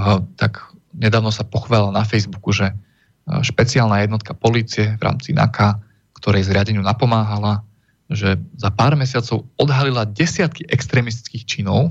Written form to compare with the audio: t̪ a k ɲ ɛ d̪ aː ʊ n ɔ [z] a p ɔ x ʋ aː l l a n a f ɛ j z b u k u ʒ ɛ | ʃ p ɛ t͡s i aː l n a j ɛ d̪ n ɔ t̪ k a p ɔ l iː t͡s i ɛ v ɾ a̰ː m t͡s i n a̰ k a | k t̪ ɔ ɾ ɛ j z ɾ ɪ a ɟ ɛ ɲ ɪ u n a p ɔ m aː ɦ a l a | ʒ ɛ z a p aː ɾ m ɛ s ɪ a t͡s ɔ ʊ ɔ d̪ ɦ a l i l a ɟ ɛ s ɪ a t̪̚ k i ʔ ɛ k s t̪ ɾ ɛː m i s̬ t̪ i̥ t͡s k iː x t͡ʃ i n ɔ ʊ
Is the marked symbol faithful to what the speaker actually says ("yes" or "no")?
no